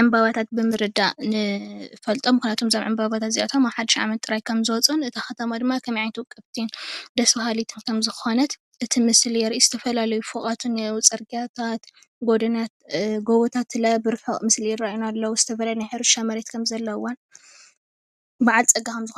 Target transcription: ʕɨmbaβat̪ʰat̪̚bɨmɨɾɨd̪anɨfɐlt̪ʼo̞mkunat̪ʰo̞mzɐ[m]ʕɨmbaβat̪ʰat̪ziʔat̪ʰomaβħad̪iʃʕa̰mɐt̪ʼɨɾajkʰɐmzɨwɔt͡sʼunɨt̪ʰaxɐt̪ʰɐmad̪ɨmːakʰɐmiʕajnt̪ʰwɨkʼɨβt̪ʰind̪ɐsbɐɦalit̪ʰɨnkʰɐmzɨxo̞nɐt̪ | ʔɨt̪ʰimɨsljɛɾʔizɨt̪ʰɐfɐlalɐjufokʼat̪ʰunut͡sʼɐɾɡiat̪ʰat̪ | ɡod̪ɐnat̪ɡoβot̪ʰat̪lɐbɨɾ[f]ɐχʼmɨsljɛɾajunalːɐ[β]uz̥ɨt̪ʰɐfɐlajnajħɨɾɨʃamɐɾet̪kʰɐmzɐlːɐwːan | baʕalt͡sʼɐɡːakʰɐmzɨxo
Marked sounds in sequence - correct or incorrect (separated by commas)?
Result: correct, correct, incorrect